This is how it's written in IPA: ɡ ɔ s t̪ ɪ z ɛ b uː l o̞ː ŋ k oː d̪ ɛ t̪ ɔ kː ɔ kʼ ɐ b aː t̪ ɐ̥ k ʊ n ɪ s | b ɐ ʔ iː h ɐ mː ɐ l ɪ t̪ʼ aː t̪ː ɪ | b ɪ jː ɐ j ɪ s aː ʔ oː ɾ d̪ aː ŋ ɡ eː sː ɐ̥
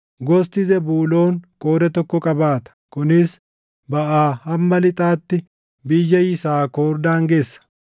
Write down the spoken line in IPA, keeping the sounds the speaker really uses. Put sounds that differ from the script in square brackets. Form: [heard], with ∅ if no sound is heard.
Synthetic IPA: ɡ ɔ s t̪ ɪ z ɛ b uː l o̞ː ŋ [kʼ] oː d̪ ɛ t̪ ɔ kː ɔ kʼ ɐ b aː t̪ ɐ̥ k ʊ n ɪ s | b ɐ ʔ [aː] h ɐ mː ɐ l ɪ t̪ʼ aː t̪ː ɪ | b ɪ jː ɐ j ɪ s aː [k] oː ɾ d̪ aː ŋ ɡ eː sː ɐ̥

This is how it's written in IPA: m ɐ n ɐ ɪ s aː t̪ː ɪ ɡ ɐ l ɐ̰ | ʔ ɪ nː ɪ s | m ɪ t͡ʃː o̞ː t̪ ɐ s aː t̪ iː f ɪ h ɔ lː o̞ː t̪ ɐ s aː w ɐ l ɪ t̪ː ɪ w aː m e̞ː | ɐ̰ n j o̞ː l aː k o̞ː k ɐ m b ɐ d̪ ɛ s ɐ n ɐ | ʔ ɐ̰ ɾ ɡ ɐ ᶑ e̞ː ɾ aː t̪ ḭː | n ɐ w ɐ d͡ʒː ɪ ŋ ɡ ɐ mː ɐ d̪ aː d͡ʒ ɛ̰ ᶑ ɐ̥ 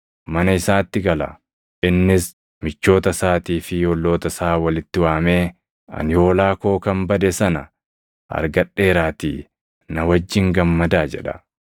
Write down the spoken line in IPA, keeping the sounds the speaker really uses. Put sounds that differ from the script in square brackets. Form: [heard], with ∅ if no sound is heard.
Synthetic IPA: m ɐ n ɐ ɪ s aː t̪ː ɪ ɡ ɐ l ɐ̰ | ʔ ɪ nː ɪ s | m ɪ t͡ʃː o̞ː t̪ ɐ s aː t̪ iː f ɪ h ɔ lː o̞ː t̪ ɐ s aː w ɐ l ɪ t̪ː ɪ w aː m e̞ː | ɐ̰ n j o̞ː l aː k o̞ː k ɐ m b ɐ d̪ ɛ s ɐ n ɐ | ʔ ɐ̰ ɾ ɡ ɐ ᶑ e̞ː ɾ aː t̪ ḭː | n ɐ w ɐ d͡ʒː ɪ ŋ ɡ ɐ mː ɐ d̪ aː d͡ʒ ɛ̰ ᶑ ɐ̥

